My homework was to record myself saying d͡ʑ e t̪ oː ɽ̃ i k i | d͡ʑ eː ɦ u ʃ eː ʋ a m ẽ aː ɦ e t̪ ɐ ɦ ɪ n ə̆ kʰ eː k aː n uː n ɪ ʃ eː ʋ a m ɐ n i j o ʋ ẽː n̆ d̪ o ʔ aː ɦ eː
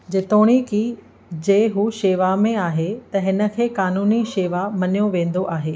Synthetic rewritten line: d͡ʑ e t̪ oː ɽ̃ i k i | d͡ʑ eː ɦ u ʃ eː ʋ a m ẽ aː ɦ e t̪ ɐ ɦ ɪ n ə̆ kʰ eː k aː n uː n i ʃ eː ʋ a m ɐ n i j o ʋ ẽː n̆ d̪ o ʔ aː ɦ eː